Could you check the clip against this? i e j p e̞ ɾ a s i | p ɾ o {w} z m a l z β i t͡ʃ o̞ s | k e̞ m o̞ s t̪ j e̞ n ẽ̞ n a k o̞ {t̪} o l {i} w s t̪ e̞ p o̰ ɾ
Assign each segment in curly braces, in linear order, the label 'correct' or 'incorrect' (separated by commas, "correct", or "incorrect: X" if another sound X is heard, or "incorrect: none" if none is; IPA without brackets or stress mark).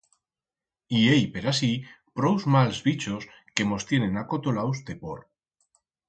correct, correct, incorrect: a